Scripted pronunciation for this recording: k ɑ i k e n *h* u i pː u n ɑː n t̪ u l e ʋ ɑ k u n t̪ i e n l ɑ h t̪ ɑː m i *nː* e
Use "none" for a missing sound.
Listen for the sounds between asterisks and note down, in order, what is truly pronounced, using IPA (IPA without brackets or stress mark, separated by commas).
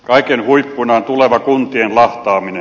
h, n